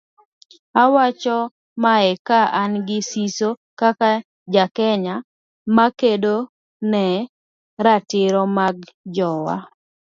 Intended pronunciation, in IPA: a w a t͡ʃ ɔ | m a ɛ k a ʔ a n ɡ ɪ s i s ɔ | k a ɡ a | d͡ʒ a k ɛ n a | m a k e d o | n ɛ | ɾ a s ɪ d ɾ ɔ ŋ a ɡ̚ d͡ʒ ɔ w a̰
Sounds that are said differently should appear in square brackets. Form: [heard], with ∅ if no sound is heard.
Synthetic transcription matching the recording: a w a t͡ʃ ɔ | m a ɛ k a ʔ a n ɡ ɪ s i s [o] | k a [k] a | d͡ʒ a k ɛ [ɲ] a | m a k e d o | n ɛ | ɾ a [t] ɪ [∅] ɾ ɔ [m] a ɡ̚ d͡ʒ ɔ w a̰